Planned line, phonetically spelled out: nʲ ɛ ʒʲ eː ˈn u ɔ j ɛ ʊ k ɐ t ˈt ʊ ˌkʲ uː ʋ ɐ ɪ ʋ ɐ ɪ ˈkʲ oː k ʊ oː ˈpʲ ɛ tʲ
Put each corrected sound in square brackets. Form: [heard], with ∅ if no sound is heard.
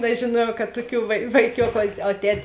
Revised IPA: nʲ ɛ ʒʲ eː ˈn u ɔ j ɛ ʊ k ɐ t ˈt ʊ ˌkʲ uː ʋ ɐ ɪ ʋ ɐ ɪ ˈkʲ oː k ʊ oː [ˈtʲ] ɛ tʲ